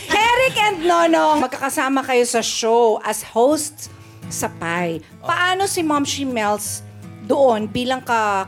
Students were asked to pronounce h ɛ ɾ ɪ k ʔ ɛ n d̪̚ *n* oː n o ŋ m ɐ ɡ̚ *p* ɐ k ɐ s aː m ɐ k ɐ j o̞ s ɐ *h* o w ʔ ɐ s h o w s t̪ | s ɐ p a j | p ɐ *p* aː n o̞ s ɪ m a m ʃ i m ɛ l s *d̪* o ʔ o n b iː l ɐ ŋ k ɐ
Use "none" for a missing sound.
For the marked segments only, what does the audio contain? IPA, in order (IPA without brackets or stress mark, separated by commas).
n, k, ʃ, ʔ, d̪